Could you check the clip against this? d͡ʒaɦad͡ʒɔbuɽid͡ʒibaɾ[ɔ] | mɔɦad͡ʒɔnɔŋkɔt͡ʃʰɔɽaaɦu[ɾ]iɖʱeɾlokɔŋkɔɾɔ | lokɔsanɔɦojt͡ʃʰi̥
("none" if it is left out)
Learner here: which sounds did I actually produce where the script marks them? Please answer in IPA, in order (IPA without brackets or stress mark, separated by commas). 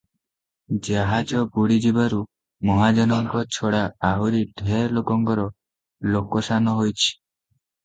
u, ɾ